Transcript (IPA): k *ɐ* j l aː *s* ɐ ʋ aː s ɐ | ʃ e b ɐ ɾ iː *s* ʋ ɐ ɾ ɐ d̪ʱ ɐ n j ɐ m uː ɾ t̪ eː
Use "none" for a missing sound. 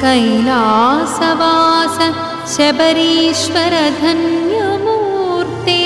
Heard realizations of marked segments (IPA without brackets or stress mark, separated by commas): ɐ, s, ʃ